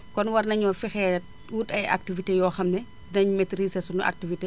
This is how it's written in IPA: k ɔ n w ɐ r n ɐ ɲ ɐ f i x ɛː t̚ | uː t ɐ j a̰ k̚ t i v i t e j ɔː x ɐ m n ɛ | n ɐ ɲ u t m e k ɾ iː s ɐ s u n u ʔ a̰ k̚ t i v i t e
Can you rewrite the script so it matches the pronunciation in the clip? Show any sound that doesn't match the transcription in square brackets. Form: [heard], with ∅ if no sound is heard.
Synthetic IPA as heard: k ɔ n w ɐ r n ɐ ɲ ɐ f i x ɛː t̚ | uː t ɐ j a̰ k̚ t i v i t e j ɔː x ɐ m n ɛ | n ɐ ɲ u [∅] m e [t] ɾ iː s ɐ s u n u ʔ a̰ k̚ t i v i t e